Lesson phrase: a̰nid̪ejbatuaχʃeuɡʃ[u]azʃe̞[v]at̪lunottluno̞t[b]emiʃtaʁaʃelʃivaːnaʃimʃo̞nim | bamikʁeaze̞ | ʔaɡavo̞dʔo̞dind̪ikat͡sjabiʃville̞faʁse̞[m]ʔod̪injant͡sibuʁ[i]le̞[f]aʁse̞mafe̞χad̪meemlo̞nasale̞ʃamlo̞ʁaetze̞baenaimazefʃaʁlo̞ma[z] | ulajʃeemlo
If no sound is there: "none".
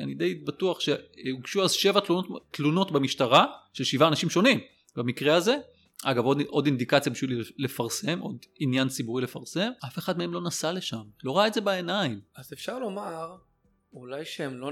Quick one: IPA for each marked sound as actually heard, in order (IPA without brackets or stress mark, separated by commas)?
u, v, b, m, i, f, ʁ